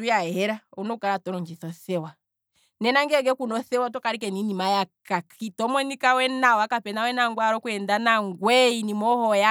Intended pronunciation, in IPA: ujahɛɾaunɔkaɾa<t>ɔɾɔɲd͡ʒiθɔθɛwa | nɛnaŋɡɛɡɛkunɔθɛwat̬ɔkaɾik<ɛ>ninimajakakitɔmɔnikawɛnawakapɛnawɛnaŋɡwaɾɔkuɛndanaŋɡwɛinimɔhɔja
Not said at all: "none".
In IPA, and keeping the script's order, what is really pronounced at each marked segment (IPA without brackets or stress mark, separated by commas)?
t, ɛ